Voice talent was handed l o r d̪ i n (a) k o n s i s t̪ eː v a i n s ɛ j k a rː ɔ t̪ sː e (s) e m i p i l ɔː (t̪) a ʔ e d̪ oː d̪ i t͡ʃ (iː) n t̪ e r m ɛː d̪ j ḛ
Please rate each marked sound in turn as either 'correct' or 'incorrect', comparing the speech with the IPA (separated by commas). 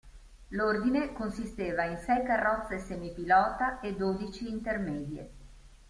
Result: incorrect, correct, correct, correct